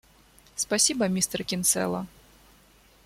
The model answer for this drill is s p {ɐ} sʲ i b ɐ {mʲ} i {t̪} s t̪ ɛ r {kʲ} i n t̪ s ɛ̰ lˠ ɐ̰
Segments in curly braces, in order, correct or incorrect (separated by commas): incorrect, correct, incorrect, correct